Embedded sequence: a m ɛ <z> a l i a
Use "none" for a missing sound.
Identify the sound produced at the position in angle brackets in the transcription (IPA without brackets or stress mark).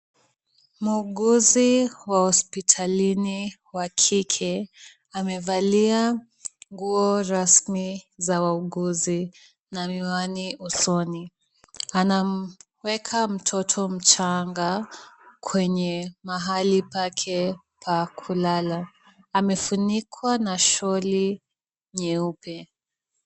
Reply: v